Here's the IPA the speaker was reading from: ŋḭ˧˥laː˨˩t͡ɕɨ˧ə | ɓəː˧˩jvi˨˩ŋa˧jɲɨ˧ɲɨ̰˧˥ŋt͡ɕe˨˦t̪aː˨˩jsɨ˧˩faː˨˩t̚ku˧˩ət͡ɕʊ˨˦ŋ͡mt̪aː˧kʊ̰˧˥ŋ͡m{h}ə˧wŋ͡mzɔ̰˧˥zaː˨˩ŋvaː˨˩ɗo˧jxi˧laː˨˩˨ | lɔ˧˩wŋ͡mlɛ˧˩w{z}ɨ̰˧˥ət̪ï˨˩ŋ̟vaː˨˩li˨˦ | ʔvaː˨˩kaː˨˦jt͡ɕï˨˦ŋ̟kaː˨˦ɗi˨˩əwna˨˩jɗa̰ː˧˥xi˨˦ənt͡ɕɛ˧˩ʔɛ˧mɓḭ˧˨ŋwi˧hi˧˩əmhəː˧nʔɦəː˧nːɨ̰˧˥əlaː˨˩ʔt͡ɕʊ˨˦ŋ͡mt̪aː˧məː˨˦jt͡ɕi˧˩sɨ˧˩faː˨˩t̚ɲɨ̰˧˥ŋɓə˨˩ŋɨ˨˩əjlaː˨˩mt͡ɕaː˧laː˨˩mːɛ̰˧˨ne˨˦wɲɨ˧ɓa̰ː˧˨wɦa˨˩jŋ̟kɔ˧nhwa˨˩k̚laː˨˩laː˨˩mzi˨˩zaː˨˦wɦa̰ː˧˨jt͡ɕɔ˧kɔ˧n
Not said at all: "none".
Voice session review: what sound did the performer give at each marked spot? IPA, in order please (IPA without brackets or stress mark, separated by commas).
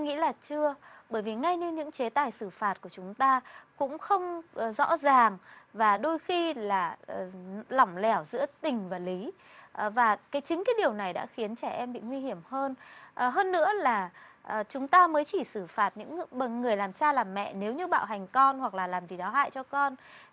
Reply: x, z